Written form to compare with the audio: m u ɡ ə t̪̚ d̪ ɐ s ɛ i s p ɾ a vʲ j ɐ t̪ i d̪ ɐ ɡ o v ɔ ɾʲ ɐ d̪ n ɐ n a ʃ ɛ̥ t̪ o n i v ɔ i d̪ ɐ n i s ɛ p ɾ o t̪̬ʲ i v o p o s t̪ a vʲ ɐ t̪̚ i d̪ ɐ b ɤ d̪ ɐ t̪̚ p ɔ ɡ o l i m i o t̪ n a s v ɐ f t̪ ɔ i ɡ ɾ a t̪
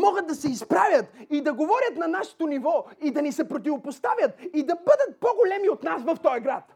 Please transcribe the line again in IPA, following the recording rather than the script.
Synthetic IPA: m ɔ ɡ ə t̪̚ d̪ ɐ s ɛ i s p ɾ a vʲ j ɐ t̪ i d̪ ɐ ɡ o v ɔ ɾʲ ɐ t̪ n ɐ n a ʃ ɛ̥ t̪ o n i v ɔ i d̪ ɐ n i s ɛ p ɾ o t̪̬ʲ i v o p o s t̪ a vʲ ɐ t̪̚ i d̪ ɐ b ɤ d̪ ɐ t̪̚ p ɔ ɡ o l ɛ m i o t̪ n a s v ɐ f t̪ ɔ j ɡ ɾ a t̪